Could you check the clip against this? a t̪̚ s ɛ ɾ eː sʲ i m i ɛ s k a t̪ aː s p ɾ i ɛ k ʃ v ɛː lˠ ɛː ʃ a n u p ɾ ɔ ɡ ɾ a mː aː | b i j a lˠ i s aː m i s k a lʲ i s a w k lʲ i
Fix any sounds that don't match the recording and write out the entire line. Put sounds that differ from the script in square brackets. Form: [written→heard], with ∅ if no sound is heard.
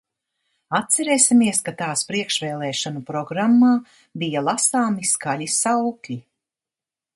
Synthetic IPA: a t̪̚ s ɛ ɾ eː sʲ i m i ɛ s k a t̪ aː s p ɾ i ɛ k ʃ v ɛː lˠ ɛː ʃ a n u p ɾ ɔ ɡ ɾ a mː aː | b i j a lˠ [i→a] s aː m i s k a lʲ i s a w k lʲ i